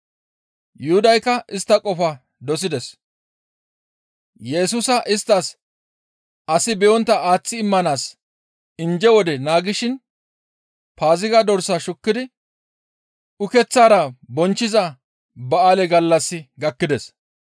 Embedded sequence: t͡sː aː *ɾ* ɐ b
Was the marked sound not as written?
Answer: no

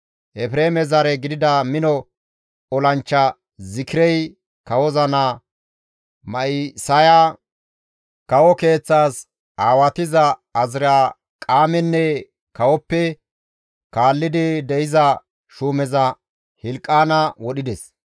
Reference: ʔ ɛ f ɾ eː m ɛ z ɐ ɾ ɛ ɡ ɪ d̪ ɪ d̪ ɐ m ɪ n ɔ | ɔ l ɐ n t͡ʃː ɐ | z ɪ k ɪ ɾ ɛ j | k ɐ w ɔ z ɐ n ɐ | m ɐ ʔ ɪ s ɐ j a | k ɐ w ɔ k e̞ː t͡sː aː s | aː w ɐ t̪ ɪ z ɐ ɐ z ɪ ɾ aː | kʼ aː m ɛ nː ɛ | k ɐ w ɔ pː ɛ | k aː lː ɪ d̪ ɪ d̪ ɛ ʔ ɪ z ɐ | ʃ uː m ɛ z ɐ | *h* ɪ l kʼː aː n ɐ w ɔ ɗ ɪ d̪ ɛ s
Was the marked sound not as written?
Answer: no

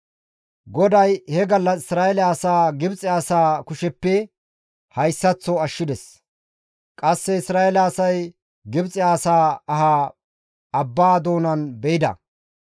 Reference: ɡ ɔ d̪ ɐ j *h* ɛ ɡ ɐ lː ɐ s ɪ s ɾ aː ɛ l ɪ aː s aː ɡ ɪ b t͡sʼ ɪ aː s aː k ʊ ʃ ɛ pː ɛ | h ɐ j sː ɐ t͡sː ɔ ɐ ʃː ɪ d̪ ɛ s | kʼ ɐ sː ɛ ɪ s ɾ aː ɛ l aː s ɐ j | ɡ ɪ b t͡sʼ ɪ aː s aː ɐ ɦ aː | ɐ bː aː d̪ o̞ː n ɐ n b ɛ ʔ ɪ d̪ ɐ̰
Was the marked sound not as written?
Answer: no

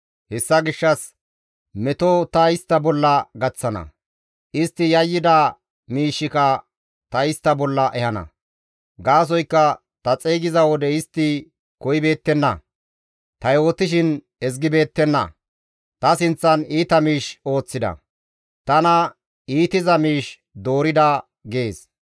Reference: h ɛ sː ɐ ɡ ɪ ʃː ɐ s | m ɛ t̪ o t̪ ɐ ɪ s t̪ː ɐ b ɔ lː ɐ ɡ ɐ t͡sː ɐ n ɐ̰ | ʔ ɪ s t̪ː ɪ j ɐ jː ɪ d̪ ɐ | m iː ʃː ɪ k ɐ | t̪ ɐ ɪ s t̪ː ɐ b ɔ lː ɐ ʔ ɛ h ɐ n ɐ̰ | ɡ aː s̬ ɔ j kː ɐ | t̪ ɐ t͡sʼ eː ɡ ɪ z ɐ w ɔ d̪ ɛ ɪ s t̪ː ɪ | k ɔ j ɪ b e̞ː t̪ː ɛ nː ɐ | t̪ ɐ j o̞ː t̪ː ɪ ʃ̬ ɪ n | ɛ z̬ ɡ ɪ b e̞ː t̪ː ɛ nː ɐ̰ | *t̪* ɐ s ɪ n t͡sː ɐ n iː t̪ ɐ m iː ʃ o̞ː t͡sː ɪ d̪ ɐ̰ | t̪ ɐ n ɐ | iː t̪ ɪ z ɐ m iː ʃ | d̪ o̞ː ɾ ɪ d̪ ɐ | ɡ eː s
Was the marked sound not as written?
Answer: no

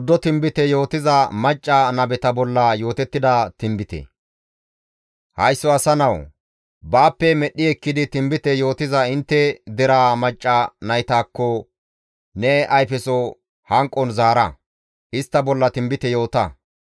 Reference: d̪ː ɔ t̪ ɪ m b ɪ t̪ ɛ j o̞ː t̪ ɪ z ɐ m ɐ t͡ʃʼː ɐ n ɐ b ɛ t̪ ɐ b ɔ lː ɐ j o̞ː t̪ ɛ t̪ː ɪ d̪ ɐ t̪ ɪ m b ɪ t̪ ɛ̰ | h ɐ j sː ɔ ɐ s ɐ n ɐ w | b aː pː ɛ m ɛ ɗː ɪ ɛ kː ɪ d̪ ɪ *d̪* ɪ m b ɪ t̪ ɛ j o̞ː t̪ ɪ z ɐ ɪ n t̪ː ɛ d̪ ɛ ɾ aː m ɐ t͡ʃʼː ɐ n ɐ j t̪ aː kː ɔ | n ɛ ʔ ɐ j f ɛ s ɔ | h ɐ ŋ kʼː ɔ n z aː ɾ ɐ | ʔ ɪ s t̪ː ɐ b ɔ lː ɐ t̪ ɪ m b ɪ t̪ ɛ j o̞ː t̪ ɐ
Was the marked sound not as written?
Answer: yes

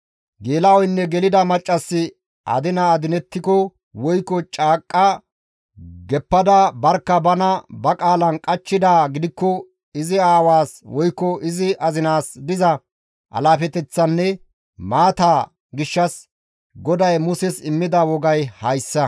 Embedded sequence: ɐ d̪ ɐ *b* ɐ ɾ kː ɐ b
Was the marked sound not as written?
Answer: no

